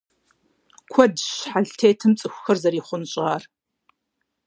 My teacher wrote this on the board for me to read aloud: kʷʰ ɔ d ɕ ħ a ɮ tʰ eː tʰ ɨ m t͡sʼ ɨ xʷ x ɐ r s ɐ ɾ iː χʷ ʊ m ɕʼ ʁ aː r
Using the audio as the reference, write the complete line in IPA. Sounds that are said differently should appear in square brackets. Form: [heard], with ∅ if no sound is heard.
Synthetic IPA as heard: kʷʰ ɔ d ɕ ħ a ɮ tʰ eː tʰ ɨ m t͡sʼ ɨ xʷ x ɐ r [z] ɐ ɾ iː χʷ ʊ [n] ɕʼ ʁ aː r